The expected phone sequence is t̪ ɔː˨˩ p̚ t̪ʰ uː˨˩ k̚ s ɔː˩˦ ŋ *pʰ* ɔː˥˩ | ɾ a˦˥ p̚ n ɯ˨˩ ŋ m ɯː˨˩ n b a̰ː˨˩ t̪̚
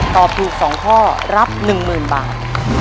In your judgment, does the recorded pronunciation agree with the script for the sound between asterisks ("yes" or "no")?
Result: no